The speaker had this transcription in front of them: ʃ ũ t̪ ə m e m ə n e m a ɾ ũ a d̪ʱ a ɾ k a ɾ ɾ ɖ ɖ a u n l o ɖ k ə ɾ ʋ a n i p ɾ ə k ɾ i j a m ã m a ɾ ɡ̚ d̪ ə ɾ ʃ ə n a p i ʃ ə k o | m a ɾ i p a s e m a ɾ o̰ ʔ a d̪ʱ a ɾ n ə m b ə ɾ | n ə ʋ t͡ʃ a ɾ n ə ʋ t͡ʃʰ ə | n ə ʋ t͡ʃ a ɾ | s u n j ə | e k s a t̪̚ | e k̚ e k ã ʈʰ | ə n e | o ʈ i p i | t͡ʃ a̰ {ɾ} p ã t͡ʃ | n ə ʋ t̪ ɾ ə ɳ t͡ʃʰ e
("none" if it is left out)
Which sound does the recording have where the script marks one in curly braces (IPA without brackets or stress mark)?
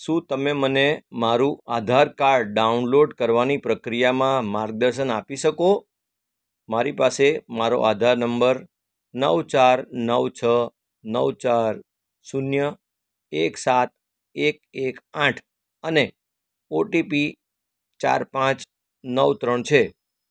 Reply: ɾ